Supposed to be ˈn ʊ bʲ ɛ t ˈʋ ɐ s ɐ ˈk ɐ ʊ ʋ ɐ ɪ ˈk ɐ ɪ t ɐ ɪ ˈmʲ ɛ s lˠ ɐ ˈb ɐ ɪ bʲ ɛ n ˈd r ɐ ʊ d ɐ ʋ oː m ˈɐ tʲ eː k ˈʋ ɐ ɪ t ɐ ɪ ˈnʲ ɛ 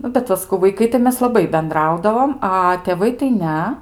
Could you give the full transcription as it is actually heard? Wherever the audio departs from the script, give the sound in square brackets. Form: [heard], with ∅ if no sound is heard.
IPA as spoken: ˈn ʊ bʲ ɛ t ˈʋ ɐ s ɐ ˈk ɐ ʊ ʋ ɐ ɪ ˈk ɐ ɪ t ɐ ɪ ˈmʲ ɛ s lˠ ɐ ˈb ɐ ɪ bʲ ɛ n ˈd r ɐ ʊ d ɐ ʋ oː m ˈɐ tʲ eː [∅] ˈʋ ɐ ɪ t ɐ ɪ ˈnʲ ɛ